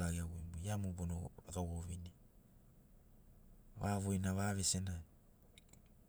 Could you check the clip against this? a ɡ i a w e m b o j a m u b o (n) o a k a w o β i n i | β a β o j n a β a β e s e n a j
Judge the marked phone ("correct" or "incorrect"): correct